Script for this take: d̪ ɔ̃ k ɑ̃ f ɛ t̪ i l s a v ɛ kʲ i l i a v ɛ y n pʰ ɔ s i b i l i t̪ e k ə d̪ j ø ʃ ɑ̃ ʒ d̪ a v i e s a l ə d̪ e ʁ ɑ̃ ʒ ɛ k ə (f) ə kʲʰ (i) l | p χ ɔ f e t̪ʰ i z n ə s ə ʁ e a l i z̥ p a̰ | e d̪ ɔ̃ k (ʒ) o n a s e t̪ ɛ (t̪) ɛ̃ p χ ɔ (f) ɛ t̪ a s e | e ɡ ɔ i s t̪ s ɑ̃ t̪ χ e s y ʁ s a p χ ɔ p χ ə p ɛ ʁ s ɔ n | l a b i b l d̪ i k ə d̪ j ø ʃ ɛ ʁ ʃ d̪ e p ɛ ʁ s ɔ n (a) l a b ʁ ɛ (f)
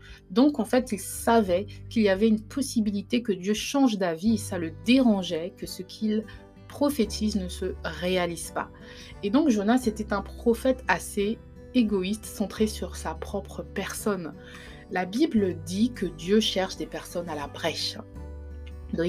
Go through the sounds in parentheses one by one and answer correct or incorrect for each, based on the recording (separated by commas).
incorrect, correct, correct, correct, correct, correct, incorrect